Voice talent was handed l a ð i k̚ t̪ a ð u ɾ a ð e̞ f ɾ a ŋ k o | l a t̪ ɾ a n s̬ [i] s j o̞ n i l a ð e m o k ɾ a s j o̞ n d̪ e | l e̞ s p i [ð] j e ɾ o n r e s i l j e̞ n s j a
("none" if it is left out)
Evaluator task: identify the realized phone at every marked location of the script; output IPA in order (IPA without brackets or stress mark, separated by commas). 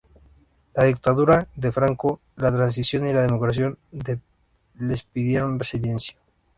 i, ð